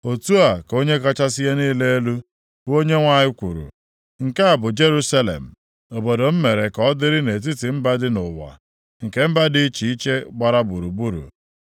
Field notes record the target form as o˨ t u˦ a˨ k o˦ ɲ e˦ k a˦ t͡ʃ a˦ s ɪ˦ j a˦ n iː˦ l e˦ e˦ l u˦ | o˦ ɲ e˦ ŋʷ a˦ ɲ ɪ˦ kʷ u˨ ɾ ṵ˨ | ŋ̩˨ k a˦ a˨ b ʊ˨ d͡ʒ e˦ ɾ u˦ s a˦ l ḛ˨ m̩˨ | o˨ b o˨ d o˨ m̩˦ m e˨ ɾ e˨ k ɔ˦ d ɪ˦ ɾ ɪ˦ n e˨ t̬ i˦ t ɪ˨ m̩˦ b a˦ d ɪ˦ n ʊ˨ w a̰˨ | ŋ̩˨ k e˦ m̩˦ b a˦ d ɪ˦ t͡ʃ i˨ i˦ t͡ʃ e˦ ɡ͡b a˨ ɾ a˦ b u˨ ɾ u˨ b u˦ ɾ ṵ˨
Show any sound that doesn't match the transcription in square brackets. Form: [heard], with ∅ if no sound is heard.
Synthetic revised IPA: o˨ t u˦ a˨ k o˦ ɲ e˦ k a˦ t͡ʃ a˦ s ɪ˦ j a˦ n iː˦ l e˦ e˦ l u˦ | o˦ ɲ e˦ ŋʷ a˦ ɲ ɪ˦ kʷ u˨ ɾ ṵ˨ | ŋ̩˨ k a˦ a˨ b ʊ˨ d͡ʒ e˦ ɾ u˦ s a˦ l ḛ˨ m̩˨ | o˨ b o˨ d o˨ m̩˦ m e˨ ɾ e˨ k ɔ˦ d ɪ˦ ɾ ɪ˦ n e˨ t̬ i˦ t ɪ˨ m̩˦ b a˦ d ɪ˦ n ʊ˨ w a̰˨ | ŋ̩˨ k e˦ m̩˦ b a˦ d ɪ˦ t͡ʃ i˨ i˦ t͡ʃ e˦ ɡ͡b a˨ ɾ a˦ b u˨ ɾ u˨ b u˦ ɾ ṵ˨

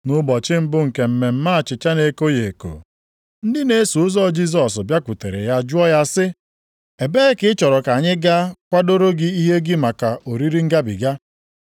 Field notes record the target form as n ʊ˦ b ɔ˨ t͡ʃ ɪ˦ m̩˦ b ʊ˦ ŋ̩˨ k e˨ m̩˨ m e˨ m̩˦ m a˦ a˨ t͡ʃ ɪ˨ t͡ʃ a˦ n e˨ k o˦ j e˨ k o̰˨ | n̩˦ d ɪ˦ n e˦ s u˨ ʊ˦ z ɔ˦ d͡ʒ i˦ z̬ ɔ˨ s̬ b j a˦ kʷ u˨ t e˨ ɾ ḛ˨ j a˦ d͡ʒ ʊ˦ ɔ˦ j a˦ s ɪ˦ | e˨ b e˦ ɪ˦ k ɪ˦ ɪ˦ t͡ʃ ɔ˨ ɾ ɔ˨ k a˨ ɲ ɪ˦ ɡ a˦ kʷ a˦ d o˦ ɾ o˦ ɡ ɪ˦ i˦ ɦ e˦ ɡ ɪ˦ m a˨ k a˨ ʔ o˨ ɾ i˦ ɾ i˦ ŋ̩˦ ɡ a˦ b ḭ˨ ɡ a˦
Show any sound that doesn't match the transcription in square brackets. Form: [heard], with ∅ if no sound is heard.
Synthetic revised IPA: n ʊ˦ b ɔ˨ t͡ʃ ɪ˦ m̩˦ b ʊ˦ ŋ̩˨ k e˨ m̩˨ m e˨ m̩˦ m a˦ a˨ t͡ʃ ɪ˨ t͡ʃ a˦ n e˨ k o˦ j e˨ k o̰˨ | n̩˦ d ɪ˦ n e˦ s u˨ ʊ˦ z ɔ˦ d͡ʒ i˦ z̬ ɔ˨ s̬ b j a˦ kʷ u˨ t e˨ ɾ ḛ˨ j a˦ d͡ʒ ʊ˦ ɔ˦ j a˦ s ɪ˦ | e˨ b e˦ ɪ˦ k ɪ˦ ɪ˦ t͡ʃ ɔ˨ ɾ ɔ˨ k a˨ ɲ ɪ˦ ɡ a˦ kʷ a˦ d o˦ ɾ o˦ ɡ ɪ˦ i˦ ɦ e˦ ɡ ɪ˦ m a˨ k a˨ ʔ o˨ ɾ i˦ ɾ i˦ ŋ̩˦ ɡ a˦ b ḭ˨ ɡ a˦

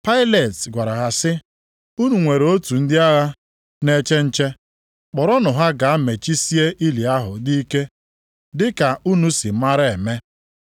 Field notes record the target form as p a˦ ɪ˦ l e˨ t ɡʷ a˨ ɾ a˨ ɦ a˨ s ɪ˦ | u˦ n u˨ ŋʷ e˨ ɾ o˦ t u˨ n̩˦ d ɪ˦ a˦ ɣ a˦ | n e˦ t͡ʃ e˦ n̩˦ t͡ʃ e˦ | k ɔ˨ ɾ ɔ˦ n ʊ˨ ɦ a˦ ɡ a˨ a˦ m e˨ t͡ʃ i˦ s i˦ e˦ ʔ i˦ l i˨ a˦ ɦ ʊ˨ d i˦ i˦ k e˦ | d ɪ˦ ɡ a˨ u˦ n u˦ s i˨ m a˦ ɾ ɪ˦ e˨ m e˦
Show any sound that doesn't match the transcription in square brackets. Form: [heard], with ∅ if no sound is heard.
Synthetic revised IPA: p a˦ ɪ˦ l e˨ t ɡʷ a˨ ɾ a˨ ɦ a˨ s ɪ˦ | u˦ n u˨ ŋʷ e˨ ɾ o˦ t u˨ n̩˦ d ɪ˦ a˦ ɣ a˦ | n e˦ t͡ʃ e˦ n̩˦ t͡ʃ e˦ | [k͡p] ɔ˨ ɾ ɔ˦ n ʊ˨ ɦ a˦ ɡ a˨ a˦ m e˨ t͡ʃ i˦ s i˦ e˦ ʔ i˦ l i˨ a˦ ɦ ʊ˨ d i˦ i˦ k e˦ | d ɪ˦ [k] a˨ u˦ n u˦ s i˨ m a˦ ɾ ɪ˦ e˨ m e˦

